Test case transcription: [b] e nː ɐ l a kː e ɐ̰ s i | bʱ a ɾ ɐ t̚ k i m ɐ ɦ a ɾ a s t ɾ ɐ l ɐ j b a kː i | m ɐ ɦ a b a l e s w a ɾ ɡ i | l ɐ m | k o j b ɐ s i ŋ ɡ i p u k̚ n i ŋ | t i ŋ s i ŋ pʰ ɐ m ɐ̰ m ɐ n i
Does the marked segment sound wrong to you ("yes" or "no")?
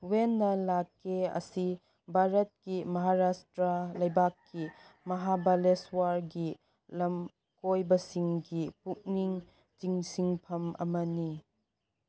yes